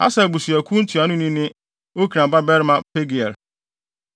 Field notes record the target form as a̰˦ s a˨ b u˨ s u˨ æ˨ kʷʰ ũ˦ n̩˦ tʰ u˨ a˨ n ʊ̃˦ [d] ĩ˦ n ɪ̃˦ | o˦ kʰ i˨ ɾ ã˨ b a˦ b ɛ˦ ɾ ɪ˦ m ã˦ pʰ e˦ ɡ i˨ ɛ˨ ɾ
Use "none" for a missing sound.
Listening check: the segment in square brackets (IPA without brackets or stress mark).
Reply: n